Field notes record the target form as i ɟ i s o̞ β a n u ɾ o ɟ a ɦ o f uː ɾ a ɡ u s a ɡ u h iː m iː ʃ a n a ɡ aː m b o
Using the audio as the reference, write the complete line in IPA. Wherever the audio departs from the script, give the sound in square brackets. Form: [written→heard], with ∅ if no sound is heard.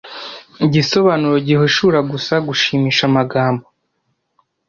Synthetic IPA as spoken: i ɟ i s o̞ β a n u ɾ o ɟ [a→i] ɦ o [f→ʃ] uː ɾ a ɡ u s a ɡ u [h→ʃ] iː m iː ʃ a [n→m] a ɡ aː m b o